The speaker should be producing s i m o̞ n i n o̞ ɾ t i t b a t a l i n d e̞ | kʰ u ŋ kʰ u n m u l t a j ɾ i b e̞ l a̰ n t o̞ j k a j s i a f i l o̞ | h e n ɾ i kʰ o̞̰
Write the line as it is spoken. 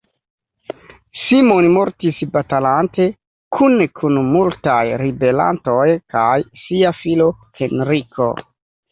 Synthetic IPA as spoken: s i m o̞ n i m o̞ ɾ t i s b a t a l a n t e̞ | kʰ u n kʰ u n m u l t a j ɾ i b e̞ l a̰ n t o̞ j k a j s i a f i l o̞ | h e n ɾ i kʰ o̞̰